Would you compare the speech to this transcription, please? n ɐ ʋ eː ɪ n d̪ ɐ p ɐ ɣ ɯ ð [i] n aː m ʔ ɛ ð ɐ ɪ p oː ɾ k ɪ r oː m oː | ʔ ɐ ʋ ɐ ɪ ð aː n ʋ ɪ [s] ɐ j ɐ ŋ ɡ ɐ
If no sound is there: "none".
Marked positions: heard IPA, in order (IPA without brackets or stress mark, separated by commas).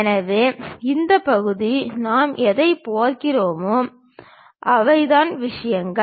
i, ʂ